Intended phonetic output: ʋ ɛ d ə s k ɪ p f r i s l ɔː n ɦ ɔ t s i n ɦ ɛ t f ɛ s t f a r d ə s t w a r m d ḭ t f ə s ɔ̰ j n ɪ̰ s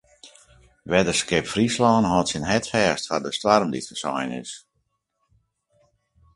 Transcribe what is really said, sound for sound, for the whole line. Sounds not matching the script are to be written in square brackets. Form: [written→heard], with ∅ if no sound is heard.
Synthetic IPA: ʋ ɛ d ə s k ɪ p f r i s l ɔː n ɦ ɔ t s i n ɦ ɛ t f [ɛ→ɛː] s t f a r d ə s t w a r m d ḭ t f ə s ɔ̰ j n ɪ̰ s